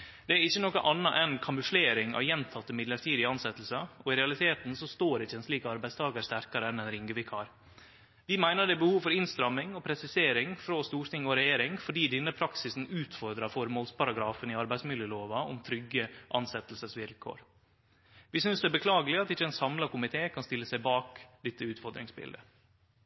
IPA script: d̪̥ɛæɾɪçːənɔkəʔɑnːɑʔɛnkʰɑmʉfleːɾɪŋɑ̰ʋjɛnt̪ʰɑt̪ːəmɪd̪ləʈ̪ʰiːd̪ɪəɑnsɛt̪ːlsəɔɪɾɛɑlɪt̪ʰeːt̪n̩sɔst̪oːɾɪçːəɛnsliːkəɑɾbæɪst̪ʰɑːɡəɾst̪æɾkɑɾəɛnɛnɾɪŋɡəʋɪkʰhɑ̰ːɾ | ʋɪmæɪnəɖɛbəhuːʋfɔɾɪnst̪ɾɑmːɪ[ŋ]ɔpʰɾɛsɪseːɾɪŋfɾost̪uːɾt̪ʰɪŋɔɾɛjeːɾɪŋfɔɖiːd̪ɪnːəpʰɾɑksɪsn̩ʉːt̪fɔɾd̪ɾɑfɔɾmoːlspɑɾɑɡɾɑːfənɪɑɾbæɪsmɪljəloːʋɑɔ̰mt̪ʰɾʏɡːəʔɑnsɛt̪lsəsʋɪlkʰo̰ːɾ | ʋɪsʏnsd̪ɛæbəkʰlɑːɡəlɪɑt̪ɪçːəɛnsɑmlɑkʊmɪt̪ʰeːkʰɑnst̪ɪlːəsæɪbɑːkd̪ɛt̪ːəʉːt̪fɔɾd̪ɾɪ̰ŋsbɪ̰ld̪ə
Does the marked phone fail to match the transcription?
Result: no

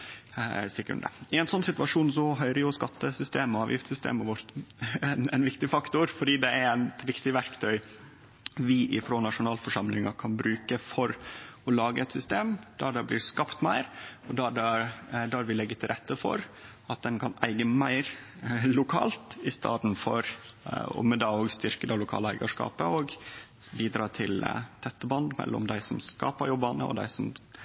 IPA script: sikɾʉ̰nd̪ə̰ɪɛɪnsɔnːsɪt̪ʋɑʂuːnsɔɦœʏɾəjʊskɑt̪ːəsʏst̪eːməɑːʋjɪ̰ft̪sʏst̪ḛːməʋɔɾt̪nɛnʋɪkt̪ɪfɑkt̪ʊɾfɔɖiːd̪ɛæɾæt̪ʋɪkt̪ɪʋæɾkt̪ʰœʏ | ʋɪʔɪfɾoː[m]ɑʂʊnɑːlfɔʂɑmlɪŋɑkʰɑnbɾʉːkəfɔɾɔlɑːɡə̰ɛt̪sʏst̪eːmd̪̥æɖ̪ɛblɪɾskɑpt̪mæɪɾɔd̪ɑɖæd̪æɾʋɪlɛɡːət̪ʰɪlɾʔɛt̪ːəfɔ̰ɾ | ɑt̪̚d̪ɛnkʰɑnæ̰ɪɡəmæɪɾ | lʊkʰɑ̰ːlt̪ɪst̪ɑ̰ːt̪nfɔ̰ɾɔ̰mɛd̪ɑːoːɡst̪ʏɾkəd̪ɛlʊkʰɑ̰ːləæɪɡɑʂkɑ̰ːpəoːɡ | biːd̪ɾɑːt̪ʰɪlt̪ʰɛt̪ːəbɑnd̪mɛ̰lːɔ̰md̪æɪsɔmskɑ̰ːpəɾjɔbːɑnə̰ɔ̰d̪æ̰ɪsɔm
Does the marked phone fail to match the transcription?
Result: yes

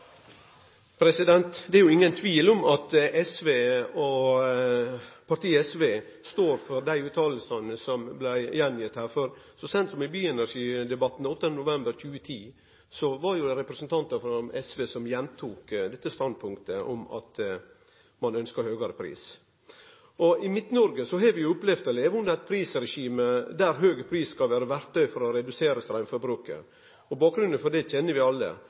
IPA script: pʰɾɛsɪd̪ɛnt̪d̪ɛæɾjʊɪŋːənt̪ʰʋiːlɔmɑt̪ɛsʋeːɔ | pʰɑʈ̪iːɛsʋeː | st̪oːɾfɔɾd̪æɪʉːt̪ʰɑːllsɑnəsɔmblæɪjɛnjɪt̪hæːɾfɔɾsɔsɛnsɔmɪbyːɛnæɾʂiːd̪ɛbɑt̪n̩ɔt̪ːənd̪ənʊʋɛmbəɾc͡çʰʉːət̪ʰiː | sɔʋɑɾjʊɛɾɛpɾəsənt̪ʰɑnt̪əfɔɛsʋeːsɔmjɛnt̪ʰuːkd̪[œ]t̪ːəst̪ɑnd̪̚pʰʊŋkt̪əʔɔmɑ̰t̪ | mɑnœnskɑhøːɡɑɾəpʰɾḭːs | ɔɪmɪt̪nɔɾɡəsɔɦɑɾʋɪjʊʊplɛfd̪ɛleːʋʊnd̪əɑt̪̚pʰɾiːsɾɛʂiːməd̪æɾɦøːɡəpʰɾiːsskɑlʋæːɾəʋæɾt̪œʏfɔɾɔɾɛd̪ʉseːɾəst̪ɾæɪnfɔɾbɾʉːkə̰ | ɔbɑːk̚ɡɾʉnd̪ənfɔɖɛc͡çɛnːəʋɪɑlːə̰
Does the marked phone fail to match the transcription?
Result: yes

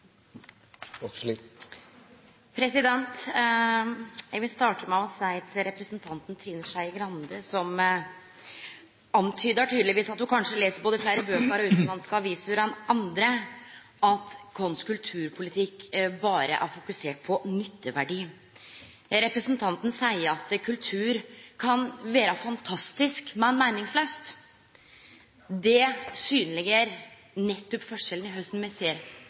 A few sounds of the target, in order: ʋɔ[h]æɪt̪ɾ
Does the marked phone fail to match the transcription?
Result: yes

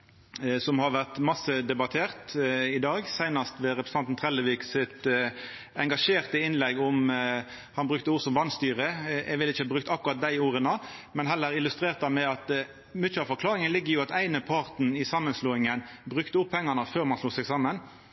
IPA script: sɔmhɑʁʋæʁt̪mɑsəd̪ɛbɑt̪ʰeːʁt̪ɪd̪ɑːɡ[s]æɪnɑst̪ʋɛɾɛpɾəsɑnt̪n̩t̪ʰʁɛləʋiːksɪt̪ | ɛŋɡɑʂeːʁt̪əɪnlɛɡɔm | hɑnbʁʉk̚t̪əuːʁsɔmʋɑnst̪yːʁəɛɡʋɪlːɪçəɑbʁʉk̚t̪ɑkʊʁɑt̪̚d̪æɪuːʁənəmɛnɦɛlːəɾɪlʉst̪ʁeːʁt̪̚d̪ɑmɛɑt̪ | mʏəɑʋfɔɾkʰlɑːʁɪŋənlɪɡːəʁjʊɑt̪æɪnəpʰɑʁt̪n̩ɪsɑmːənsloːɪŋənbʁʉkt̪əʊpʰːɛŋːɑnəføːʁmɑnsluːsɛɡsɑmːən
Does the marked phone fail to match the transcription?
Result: no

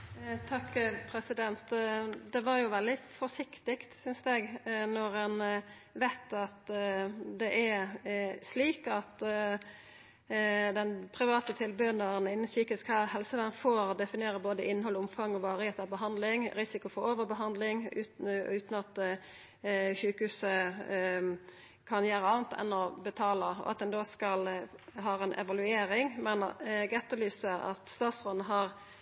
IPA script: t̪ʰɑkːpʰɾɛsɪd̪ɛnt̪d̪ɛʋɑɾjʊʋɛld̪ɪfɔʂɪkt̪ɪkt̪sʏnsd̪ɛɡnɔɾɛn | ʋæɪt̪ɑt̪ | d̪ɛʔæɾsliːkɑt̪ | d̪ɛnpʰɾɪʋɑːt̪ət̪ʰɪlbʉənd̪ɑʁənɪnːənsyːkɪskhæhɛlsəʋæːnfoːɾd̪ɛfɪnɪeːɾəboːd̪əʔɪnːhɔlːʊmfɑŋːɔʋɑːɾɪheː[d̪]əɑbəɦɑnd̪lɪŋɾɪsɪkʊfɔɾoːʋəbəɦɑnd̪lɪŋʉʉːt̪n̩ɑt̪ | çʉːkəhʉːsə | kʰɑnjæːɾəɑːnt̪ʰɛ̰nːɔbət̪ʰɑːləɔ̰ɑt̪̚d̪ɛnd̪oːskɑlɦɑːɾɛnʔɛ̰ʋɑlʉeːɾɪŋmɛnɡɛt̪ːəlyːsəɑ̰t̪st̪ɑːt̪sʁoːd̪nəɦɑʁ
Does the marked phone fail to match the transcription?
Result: yes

